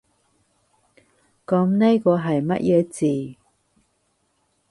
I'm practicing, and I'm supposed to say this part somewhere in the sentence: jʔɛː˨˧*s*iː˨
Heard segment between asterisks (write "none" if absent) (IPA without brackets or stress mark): t͡s